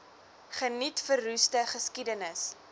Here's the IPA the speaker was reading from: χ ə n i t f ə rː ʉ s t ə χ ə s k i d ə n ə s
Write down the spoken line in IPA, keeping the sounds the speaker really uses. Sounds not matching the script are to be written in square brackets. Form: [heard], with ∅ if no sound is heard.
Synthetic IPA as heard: χ ə n i t f ə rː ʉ s t ə χ ə s k i d ə n ə s

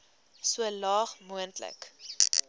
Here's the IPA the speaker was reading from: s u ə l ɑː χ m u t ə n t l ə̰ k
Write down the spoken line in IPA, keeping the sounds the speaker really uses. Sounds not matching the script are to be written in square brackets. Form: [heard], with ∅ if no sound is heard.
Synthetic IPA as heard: s u ə l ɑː χ m u [∅] ə n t l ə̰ k

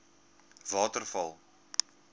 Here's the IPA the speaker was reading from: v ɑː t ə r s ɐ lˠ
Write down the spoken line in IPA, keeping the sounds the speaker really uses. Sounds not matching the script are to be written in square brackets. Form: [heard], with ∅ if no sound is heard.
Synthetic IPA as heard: v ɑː t ə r [f] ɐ lˠ

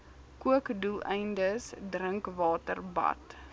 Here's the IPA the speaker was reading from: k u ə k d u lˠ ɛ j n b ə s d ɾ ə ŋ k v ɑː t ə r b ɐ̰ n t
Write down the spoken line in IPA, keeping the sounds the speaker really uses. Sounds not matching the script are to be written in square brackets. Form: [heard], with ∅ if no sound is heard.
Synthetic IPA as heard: k u ə k d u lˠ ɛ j n [d] ə s d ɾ ə ŋ k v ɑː t ə r b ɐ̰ [∅] t

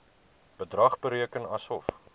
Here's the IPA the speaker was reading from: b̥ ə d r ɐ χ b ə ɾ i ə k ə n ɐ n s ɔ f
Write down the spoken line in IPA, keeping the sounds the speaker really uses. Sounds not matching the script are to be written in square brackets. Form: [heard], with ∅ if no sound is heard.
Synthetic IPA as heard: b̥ ə d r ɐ χ b ə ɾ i ə k ə n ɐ [∅] s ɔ f

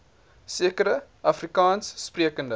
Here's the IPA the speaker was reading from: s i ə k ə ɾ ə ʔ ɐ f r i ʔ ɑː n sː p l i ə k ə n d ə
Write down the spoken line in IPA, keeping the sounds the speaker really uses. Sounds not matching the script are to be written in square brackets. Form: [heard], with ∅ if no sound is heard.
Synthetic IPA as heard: s i ə k ə ɾ ə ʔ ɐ f r i [k] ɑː n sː p [r] i ə k ə n d ə

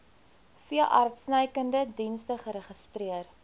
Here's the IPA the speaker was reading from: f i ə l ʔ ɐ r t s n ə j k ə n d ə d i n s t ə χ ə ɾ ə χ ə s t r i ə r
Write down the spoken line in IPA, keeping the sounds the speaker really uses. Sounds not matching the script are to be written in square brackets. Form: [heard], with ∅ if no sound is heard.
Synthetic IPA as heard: f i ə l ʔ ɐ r t s n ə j k ə n d ə d i n s t ə χ ə ɾ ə χ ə s t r i ə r

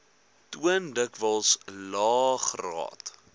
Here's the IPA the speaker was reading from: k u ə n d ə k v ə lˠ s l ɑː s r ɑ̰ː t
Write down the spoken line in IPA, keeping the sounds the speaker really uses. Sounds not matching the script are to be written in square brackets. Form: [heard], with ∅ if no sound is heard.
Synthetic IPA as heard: [t] u ə n d ə k v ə lˠ s l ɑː [χ] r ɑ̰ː t

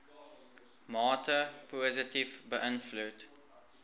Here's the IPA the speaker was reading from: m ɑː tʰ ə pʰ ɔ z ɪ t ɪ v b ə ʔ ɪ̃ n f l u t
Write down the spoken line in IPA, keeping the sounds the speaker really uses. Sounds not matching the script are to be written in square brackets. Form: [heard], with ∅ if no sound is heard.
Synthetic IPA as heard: m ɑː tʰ ə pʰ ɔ z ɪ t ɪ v b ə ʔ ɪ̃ n f l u t

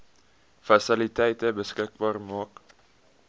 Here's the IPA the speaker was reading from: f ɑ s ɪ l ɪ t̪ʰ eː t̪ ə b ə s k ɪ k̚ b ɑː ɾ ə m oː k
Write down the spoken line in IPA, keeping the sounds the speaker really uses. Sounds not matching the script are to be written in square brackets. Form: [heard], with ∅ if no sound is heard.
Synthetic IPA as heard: f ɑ s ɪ l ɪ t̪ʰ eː t̪ ə b ə s k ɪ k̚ b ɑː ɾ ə m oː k

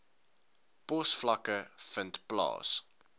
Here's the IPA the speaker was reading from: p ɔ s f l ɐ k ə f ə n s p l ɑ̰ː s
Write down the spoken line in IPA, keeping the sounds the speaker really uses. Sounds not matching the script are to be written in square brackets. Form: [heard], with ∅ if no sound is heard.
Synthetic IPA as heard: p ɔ s f l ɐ k ə f ə n [t] p l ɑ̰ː s

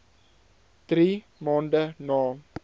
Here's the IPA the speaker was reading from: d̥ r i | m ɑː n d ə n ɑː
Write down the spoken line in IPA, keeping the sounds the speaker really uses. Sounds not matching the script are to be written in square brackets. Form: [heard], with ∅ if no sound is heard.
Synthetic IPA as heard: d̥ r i | m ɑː n d ə n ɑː

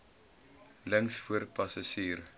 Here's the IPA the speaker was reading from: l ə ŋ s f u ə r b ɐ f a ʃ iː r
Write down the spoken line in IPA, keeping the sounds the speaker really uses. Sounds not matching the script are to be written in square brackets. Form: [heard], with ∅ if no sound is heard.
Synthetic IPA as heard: l ə ŋ s f u ə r [p] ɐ [s] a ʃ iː r

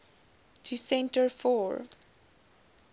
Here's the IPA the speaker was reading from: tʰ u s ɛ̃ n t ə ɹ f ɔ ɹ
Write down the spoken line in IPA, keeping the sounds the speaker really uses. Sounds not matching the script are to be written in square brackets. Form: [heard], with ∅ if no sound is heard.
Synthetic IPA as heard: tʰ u s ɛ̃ n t ə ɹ f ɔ ɹ

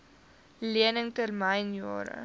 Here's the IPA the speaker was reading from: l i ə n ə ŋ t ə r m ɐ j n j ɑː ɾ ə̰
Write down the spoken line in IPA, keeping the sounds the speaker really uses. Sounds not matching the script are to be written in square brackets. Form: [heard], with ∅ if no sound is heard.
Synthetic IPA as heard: l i ə n ə ŋ t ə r m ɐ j n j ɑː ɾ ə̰

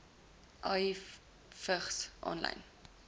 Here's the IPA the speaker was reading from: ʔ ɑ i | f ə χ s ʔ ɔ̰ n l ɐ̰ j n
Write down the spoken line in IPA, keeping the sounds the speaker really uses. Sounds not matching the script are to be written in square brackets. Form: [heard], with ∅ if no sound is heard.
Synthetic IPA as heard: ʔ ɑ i | f ə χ s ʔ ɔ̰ n l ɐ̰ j n

